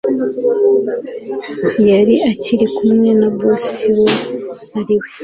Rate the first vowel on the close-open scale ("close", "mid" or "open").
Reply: open